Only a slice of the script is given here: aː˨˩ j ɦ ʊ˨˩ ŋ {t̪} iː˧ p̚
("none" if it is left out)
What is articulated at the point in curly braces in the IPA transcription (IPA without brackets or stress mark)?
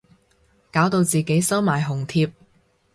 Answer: t̪ʰ